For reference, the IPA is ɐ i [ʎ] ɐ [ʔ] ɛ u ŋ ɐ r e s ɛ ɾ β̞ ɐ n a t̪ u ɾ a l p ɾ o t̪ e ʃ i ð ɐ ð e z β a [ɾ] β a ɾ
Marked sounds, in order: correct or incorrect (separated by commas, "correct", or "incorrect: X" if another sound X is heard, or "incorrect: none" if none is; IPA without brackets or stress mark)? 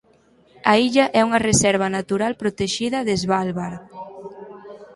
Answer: correct, correct, incorrect: l